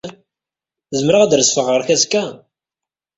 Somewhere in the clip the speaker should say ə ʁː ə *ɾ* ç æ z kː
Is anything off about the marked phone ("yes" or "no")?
no